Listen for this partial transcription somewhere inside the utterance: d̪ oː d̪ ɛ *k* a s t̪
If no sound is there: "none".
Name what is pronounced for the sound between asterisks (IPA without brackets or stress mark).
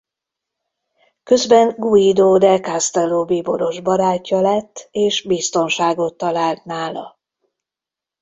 k